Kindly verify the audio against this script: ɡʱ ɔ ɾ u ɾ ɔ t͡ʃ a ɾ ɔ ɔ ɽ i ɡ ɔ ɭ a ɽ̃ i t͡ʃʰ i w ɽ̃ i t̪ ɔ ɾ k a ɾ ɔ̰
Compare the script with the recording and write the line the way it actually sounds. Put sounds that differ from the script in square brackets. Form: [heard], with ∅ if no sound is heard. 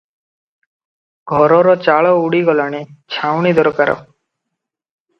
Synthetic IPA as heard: ɡʱ ɔ ɾ [ɔ] ɾ ɔ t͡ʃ a [ɭ] ɔ [u] ɽ i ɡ ɔ [l] a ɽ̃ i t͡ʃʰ [a] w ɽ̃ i [d̪] ɔ ɾ k a ɾ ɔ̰

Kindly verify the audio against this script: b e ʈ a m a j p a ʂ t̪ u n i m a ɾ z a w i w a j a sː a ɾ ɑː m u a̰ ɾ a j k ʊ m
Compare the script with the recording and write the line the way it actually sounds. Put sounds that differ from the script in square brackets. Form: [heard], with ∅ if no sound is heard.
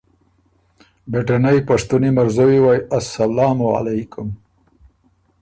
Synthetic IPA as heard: b e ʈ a [n] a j p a ʂ t̪ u n i m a ɾ z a w i w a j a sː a [l] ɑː m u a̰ [l] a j k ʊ m

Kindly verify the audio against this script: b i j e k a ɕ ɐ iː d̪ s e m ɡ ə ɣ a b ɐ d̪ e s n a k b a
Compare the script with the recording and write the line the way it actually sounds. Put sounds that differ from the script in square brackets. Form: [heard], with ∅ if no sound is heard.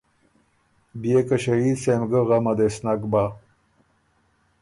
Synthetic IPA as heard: b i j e k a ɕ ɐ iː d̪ s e m ɡ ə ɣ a [m] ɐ d̪ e s n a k b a

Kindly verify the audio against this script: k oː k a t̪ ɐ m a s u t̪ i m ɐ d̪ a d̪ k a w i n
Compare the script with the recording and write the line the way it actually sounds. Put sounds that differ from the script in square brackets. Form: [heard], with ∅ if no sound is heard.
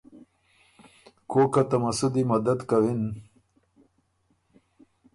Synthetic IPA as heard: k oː k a t̪ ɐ m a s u [d̪] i m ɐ d̪ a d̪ k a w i n

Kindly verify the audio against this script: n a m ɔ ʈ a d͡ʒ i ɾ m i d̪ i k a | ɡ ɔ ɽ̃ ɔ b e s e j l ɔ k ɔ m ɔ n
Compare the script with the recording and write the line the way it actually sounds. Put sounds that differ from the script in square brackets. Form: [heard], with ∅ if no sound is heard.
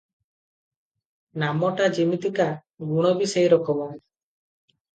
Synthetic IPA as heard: n a m ɔ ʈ a d͡ʒ i [∅] m i [t̪] i k a | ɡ [u] ɽ̃ ɔ b [i] s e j [ɾ] ɔ k ɔ m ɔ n

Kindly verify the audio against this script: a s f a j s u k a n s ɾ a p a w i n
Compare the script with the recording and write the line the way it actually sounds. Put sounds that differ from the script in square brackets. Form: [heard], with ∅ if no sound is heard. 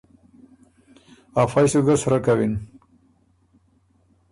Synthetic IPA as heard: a [∅] f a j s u [ɡ] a [∅] s ɾ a [k] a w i n

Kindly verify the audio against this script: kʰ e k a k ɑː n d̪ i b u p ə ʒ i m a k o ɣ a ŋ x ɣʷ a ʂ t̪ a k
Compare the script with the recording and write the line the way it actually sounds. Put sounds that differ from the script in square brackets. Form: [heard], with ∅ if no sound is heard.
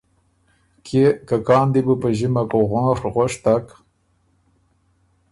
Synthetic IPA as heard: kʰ e k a k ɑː n d̪ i b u p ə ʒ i m a k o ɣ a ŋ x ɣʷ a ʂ t̪ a k

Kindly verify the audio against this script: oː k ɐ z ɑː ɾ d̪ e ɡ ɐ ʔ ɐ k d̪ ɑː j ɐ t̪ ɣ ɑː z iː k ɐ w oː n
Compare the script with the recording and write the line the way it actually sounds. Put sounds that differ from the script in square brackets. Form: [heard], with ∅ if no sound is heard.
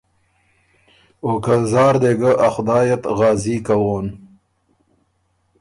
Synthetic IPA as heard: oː k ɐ z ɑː ɾ d̪ e ɡ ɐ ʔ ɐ [x] d̪ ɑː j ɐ t̪ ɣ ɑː z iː k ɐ w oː n

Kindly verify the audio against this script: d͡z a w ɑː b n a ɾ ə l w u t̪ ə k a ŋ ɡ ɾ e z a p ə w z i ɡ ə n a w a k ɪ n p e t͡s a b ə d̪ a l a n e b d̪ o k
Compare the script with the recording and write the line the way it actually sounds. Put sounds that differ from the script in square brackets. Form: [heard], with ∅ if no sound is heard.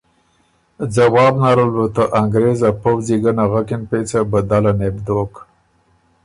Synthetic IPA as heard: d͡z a w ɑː b n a ɾ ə l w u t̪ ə [ʔ] a ŋ ɡ ɾ e z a p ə w z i ɡ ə n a [ɣ] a k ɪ n p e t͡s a b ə d̪ a l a n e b d̪ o k

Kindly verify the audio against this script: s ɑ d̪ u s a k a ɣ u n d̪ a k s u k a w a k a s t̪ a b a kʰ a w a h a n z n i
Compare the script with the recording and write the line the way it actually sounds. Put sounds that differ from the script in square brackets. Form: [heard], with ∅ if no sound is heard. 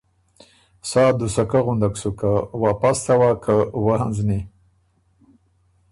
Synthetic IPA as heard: s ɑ d̪ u s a k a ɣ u n d̪ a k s u k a w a [p] a s t̪ a [w] a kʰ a w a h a n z n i

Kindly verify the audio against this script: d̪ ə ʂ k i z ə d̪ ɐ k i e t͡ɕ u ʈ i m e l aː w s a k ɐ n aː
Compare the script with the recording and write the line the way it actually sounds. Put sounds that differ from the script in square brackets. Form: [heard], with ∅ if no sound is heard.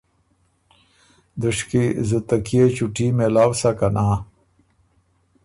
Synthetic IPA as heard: d̪ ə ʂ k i z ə [t̪] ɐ k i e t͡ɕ u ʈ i m e l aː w s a k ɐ n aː

